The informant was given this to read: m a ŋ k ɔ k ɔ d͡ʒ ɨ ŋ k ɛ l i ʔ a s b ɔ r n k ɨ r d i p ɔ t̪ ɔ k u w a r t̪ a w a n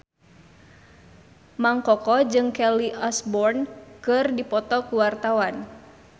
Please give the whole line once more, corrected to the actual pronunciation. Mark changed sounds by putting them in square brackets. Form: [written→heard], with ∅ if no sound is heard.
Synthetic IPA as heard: m a ŋ k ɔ k ɔ d͡ʒ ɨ ŋ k ɛ l i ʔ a s b ɔ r n k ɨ r d i p ɔ t̪ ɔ k u w a r t̪ a w a n